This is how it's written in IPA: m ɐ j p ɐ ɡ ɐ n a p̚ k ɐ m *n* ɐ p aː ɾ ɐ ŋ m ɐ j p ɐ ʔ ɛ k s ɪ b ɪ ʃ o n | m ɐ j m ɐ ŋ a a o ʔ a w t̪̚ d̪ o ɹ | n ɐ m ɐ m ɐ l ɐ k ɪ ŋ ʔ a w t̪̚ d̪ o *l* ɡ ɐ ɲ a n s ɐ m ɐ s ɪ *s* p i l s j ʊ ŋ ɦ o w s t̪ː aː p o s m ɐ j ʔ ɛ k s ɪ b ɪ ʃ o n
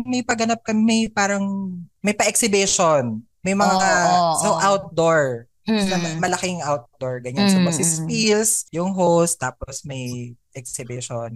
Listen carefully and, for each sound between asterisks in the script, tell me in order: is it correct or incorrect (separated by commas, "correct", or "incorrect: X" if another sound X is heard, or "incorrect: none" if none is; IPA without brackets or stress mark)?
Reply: incorrect: m, incorrect: ɹ, correct